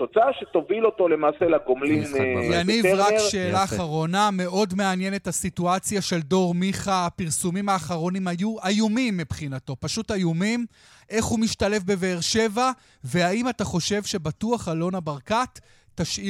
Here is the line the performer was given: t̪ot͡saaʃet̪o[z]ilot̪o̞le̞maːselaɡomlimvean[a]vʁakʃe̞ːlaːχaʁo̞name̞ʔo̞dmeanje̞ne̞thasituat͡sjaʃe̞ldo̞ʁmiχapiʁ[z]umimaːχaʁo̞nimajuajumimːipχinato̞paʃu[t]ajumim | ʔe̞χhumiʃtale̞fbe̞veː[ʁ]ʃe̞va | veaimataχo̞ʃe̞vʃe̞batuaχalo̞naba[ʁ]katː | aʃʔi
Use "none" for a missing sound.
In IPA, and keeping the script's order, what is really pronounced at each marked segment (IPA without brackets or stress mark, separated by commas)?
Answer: v, i, s, t, ʁ, ʁ